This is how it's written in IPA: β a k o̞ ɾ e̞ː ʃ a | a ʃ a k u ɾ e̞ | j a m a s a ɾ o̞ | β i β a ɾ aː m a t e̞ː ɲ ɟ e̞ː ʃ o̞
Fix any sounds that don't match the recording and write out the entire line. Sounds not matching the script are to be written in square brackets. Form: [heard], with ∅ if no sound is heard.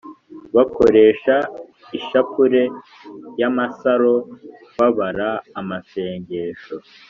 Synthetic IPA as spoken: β a k o̞ ɾ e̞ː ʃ a | [i] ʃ a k u ɾ e̞ | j a m a s a ɾ o̞ | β [a] β a ɾ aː m a [s] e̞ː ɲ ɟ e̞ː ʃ o̞